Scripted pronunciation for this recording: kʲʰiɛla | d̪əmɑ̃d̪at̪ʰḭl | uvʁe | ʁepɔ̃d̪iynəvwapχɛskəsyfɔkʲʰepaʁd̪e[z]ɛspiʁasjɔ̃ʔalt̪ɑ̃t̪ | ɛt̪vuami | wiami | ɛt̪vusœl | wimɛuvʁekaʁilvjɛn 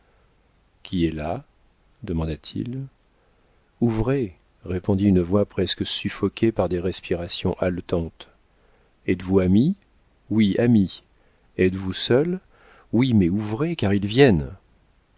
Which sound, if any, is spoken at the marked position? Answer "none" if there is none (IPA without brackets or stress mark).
ʁ